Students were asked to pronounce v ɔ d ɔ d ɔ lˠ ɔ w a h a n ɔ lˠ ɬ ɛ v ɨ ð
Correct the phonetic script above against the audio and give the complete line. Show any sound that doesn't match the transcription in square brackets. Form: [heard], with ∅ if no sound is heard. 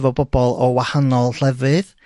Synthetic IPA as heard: v ɔ [b] ɔ [b] ɔ lˠ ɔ w a h a n ɔ lˠ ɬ ɛ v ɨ ð